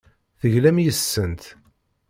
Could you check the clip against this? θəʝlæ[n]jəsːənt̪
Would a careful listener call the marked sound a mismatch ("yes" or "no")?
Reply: yes